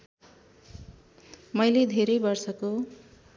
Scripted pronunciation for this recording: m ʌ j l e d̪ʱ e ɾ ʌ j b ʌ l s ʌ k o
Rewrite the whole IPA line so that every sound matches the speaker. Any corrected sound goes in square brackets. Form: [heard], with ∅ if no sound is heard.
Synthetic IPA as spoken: m ʌ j l e d̪ʱ e ɾ ʌ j b ʌ [r] s ʌ k o